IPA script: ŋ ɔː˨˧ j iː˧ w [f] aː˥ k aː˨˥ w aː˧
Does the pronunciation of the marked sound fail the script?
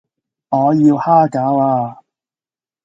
yes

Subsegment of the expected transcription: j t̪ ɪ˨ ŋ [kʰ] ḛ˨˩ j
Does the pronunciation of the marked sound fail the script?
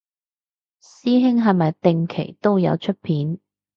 no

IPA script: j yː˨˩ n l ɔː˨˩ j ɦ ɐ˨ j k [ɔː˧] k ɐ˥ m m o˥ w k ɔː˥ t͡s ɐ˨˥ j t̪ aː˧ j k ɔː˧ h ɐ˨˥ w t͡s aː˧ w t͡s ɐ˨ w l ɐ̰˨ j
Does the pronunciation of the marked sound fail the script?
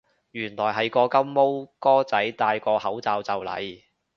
no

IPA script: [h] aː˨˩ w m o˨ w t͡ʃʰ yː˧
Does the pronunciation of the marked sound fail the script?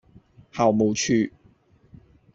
no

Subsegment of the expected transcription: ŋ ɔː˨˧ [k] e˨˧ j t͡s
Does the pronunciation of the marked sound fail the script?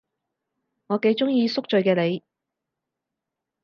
no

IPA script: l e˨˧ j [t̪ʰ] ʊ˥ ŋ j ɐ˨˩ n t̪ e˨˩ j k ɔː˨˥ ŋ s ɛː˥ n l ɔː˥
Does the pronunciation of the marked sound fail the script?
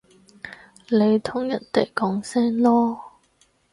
no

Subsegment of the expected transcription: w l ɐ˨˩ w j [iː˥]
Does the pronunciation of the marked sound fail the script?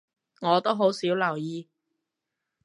yes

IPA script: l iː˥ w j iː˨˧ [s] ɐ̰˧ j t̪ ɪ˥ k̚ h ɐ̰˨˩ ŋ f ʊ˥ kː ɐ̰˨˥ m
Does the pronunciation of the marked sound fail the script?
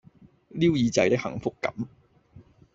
yes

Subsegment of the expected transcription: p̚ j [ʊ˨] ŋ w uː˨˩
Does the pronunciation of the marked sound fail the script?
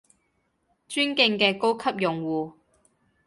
no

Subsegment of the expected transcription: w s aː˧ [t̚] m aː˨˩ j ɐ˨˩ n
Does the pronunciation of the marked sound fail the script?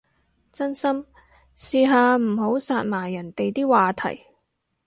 no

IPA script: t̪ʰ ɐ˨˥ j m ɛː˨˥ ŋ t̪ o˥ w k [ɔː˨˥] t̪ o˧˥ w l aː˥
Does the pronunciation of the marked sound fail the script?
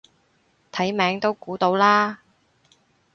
yes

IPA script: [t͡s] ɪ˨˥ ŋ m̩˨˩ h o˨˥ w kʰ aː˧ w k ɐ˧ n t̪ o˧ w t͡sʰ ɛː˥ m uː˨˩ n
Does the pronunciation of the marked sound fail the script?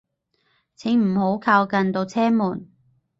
yes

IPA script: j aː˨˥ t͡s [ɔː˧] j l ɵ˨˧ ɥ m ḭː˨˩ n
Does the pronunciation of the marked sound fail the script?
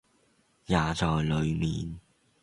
yes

